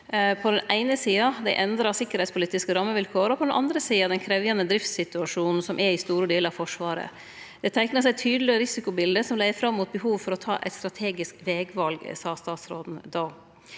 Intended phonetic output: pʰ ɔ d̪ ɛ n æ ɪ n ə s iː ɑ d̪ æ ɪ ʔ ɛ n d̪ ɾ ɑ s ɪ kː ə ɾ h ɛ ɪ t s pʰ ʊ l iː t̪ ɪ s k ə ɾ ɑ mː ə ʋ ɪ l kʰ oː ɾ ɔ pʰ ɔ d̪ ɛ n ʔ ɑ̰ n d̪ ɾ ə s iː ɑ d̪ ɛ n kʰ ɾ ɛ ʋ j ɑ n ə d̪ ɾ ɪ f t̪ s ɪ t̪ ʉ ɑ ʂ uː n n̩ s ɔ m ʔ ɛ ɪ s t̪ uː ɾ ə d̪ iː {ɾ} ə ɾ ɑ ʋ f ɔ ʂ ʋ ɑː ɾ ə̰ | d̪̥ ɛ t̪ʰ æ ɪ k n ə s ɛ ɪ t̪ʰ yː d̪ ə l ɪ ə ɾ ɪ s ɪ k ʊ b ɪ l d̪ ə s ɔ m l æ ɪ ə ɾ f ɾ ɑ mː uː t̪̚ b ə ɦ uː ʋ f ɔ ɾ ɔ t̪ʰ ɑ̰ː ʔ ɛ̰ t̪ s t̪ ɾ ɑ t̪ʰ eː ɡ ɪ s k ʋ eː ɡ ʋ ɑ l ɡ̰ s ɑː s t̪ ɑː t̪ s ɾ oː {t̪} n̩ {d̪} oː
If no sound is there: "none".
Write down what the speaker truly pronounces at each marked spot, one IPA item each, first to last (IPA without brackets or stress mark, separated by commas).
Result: l, d̪, d̪